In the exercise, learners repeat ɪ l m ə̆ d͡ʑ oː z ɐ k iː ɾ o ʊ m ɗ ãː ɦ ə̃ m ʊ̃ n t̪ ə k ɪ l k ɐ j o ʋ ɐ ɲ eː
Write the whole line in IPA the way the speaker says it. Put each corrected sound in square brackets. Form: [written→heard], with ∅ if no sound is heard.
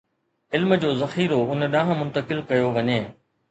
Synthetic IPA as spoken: ɪ l m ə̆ d͡ʑ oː z ɐ [k→x] iː ɾ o ʊ [m→n] ɗ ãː ɦ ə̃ m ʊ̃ n t̪ ə k ɪ l k ɐ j o ʋ ɐ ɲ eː